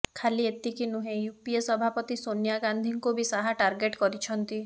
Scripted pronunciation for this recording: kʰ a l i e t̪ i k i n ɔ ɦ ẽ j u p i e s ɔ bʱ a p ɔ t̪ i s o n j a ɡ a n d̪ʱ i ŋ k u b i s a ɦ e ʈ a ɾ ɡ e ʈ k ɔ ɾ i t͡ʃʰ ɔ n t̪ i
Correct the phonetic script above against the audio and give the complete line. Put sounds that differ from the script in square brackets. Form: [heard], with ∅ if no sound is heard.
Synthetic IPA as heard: kʰ a l i e t̪ i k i n [u] ɦ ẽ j u p i e s ɔ bʱ a p ɔ t̪ i s o n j a ɡ a n d̪ʱ i ŋ k u b i s a ɦ [a] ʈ a ɾ ɡ e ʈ k ɔ ɾ i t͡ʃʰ ɔ n t̪ i

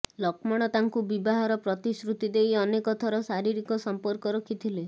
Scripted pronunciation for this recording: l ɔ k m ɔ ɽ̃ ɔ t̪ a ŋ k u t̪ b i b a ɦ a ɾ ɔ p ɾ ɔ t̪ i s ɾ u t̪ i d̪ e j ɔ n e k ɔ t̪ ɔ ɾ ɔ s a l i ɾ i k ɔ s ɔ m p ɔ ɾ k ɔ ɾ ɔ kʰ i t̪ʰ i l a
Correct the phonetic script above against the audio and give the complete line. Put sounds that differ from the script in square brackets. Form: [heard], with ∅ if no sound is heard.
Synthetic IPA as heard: l ɔ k m ɔ ɽ̃ ɔ t̪ a ŋ k u [∅] b i b a ɦ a ɾ ɔ p ɾ ɔ t̪ i s ɾ u t̪ i d̪ e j ɔ n e k ɔ [t̪ʰ] ɔ ɾ ɔ s a [ɾ] i ɾ i k ɔ s ɔ m p ɔ ɾ k ɔ ɾ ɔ kʰ i t̪ʰ i l [e]

